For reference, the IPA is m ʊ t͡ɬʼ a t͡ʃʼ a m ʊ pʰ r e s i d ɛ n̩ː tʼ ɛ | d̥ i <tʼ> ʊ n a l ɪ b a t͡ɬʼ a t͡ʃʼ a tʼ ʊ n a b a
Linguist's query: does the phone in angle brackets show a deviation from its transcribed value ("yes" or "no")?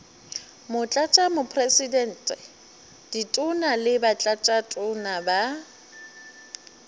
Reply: no